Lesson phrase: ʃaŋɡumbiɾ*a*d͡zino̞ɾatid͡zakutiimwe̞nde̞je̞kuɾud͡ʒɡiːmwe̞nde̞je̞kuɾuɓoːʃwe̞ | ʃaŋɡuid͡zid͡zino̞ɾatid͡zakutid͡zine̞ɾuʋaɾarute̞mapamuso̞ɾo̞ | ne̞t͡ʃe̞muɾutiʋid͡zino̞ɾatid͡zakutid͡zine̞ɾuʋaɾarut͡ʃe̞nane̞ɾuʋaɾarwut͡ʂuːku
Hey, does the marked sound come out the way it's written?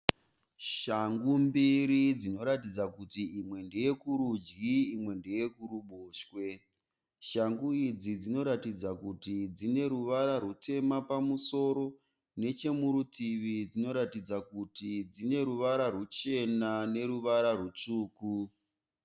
no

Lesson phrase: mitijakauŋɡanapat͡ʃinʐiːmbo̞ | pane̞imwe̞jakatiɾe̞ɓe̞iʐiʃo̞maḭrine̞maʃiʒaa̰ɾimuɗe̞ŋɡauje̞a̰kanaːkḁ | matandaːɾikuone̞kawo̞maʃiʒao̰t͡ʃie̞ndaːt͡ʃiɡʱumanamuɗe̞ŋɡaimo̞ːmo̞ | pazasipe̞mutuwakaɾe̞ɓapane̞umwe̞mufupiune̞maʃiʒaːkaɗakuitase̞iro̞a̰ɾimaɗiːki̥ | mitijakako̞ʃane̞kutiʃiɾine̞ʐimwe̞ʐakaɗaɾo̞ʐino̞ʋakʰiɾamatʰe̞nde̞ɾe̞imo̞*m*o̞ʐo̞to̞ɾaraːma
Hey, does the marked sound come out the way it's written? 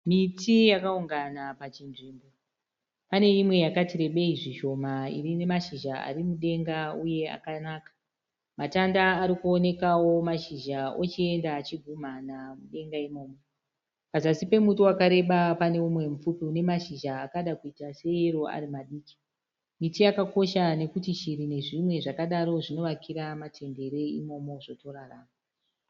yes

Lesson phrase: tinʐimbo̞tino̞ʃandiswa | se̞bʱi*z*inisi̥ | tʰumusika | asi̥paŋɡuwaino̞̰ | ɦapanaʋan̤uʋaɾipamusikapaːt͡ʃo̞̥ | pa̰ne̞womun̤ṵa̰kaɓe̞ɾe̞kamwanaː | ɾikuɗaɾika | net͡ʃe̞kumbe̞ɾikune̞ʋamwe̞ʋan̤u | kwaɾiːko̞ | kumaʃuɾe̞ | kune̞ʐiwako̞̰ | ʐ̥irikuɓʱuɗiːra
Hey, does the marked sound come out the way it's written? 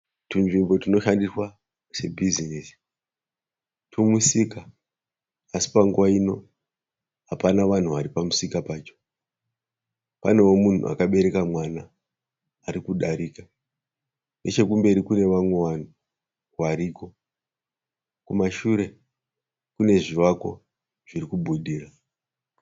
yes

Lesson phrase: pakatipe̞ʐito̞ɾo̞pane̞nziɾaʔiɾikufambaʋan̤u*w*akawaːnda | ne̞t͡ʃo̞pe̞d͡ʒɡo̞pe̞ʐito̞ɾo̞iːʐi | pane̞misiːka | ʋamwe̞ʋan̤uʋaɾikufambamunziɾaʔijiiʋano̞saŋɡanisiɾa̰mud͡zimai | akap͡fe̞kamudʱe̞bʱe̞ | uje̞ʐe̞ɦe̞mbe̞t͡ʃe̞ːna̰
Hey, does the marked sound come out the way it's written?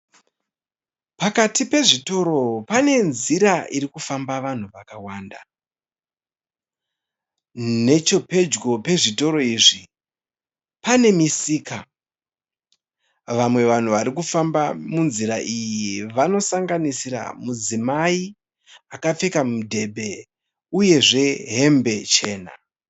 no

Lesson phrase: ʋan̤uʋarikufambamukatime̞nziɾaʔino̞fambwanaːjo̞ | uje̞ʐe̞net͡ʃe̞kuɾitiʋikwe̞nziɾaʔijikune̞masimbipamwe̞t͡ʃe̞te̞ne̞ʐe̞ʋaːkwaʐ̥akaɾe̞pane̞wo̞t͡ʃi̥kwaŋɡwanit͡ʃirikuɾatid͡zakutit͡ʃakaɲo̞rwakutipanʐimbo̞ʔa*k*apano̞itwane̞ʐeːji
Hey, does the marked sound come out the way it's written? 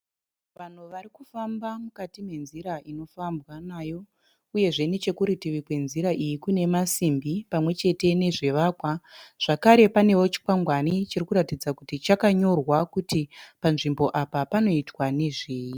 no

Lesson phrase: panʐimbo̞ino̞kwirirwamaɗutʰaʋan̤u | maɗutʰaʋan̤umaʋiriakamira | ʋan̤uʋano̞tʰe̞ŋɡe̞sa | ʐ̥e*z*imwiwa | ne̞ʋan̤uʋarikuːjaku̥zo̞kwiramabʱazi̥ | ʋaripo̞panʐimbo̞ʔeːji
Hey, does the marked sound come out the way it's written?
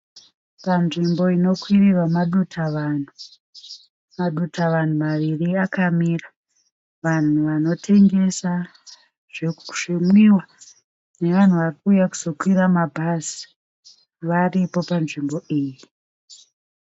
no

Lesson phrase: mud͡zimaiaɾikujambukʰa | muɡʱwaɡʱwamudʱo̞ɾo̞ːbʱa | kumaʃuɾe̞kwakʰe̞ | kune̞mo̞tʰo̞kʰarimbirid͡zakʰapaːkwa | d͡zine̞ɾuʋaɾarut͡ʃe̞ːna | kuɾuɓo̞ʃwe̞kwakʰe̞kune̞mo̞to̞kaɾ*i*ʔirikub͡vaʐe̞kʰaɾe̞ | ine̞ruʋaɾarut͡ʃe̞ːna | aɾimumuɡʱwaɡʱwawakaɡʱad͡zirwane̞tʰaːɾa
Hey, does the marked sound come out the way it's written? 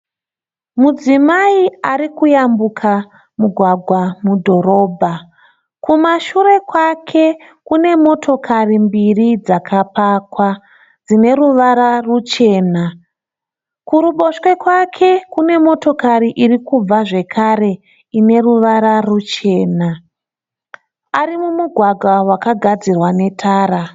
yes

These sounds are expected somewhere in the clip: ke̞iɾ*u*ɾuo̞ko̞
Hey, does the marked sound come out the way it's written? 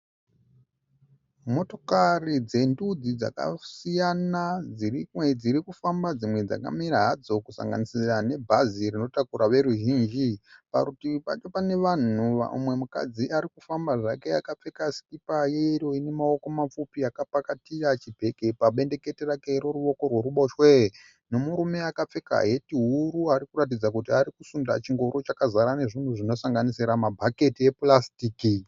no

